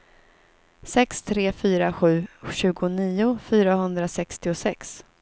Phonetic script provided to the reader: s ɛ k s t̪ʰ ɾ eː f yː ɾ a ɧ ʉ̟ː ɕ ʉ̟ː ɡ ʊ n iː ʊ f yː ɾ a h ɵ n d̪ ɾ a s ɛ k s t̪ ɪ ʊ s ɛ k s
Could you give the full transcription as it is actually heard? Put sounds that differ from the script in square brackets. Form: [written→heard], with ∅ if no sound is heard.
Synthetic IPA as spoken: s ɛ k s t̪ʰ ɾ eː f yː ɾ a ɧ ʉ̟ː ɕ ʉ̟ː ɡ ʊ n iː ʊ f yː ɾ a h ɵ n d̪ ɾ a s ɛ k s t̪ ɪ ʊ s ɛ k s